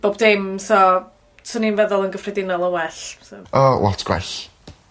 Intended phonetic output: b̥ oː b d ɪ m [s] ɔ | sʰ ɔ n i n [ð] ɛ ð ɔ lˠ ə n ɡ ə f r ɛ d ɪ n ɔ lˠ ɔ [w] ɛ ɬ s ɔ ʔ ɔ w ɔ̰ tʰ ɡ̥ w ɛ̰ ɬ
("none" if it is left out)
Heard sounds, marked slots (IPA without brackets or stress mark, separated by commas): s, v, w